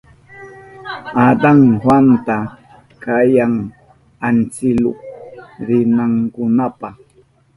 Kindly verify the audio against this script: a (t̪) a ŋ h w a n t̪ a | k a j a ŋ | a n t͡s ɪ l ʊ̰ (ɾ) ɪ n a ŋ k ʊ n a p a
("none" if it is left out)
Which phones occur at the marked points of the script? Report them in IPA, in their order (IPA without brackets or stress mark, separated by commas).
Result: d̪, ɾ